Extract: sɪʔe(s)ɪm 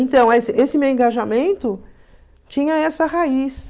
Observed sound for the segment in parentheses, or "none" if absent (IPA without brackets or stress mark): s